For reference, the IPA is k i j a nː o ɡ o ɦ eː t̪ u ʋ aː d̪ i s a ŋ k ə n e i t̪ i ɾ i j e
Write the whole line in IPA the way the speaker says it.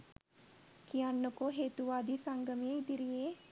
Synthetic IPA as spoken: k i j a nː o k o ɦ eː t̪ u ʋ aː d̪ i s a ŋ ɡ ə m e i d̪ i ɾ i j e

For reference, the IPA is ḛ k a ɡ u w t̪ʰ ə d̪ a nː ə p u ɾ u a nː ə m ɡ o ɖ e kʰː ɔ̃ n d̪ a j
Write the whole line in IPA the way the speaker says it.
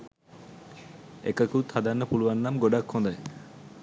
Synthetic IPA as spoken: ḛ k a k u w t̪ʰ a d̪ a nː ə p u l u a nː a m ɡ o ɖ a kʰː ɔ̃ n d̪ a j

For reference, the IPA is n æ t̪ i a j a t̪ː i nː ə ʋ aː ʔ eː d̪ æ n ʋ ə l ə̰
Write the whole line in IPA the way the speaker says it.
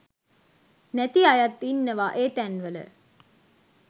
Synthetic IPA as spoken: n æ t̪ i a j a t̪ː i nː ə ʋ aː ʔ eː t̪ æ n ʋ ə l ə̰

